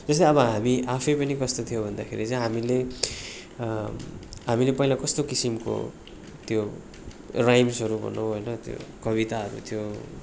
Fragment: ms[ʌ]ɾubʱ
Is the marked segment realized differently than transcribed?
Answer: no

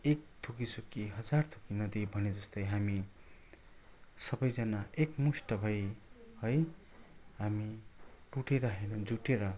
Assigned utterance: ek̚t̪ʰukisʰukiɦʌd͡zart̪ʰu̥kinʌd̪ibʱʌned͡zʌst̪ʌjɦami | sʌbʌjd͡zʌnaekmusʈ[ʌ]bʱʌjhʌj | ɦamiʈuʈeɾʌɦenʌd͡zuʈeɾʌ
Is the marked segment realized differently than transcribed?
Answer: no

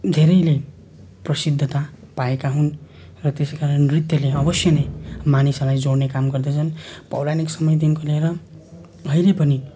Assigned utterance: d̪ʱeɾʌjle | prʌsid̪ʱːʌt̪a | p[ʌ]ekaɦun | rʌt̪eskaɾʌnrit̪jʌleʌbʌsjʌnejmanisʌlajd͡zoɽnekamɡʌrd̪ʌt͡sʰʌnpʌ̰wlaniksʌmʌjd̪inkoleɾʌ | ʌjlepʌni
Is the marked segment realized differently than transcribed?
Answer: yes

